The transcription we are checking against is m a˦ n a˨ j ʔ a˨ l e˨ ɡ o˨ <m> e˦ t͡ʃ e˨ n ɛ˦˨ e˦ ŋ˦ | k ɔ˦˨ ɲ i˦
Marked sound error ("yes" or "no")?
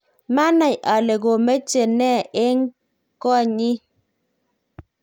no